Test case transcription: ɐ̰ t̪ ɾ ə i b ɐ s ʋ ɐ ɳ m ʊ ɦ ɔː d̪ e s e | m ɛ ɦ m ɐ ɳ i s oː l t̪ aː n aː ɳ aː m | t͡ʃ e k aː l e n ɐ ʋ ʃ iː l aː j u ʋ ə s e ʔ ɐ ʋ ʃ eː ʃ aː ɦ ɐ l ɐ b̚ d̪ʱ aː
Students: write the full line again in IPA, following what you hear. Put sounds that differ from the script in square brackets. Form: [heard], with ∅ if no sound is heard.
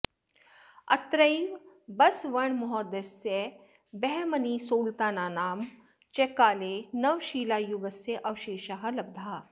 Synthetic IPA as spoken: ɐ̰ t̪ ɾ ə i b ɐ s ʋ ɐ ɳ m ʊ ɦ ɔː d̪ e s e | [b] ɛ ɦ m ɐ [n] i s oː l t̪ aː n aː [n] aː m | t͡ʃ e k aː l e n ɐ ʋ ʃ iː l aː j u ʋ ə s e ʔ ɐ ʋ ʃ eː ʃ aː ɦ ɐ l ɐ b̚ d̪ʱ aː